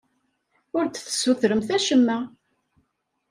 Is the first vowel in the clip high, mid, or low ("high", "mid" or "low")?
high